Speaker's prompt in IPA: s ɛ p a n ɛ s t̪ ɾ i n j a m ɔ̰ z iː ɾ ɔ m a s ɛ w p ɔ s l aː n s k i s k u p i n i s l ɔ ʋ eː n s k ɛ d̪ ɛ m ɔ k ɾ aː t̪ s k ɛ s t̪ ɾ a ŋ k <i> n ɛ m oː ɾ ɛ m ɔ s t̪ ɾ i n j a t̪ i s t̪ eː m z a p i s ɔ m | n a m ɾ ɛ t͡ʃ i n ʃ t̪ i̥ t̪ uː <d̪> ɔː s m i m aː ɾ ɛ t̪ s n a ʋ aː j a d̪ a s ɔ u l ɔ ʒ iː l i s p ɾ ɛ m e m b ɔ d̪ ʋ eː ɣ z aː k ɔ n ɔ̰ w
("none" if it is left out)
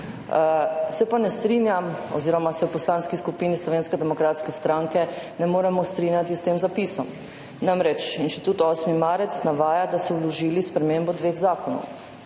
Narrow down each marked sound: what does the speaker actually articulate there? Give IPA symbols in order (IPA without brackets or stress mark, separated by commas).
ɛ, t̪